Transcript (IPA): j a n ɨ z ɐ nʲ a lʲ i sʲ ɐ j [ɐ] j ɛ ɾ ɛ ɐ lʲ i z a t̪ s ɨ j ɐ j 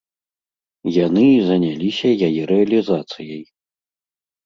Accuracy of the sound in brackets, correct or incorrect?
incorrect: a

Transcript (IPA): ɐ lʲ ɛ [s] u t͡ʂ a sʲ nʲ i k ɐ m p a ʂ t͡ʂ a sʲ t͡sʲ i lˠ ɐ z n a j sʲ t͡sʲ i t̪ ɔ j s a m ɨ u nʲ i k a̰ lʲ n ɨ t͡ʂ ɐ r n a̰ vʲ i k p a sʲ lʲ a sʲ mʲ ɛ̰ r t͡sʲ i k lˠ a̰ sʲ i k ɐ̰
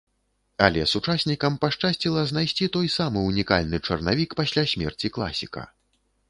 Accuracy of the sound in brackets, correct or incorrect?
correct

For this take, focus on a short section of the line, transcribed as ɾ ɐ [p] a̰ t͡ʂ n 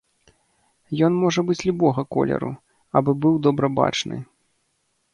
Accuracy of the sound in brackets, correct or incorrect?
incorrect: b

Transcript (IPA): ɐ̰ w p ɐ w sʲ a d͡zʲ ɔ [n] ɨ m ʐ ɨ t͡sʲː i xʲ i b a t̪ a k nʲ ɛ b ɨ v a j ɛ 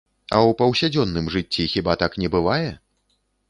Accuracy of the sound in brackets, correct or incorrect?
incorrect: nː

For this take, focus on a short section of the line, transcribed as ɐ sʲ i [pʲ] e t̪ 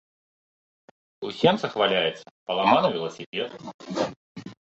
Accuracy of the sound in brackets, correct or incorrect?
correct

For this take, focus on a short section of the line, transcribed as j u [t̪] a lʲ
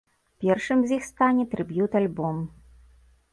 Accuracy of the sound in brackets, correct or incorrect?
correct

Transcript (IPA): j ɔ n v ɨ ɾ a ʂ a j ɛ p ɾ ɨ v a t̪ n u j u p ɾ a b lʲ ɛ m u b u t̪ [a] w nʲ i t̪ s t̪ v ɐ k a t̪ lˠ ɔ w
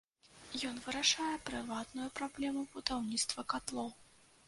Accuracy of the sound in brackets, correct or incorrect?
correct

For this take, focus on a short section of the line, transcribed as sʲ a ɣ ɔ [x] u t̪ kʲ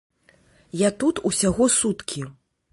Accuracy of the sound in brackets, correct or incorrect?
incorrect: s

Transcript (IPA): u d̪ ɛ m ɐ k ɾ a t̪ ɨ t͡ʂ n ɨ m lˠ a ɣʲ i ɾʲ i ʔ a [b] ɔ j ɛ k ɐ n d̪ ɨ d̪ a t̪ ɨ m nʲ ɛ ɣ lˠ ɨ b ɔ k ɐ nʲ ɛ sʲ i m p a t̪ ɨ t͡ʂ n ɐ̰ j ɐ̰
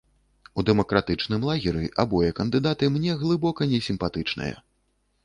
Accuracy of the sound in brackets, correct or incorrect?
correct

